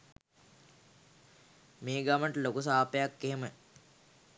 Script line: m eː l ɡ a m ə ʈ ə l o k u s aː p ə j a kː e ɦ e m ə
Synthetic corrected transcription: m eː ɡ a m ə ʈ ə l o k u s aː p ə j a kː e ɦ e m ə